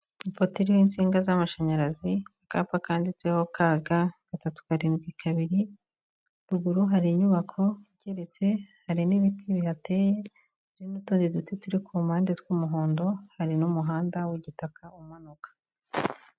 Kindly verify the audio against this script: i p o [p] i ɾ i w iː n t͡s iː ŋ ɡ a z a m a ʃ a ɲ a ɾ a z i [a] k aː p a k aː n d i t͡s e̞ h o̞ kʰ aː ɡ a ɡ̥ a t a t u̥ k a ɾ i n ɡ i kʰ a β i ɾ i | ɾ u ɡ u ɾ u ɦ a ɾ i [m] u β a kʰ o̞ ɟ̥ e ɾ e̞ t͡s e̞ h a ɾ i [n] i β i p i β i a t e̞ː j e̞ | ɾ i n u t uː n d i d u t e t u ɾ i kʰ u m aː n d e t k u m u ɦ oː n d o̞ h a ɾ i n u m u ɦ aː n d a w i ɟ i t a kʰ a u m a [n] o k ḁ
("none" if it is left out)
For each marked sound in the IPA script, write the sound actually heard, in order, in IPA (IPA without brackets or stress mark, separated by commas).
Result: t, a, ɲ, n, n